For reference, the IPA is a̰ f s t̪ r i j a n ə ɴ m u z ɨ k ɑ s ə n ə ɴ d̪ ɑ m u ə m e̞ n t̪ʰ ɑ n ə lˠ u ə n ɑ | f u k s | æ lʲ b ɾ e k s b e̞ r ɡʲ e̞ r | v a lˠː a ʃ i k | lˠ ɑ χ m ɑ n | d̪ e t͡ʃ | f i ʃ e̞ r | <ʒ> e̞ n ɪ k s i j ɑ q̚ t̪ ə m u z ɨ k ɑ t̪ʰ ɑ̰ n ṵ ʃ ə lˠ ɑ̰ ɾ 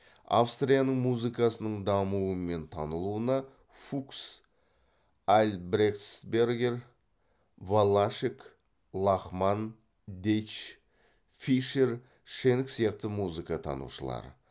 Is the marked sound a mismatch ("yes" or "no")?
yes